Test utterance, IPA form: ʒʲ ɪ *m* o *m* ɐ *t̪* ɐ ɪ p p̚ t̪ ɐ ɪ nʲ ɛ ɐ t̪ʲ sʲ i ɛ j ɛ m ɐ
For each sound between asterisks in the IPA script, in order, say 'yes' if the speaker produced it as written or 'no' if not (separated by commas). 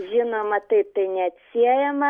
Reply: no, yes, yes